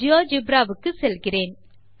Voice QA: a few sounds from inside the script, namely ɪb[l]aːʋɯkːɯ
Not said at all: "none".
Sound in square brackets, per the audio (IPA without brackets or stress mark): ɾ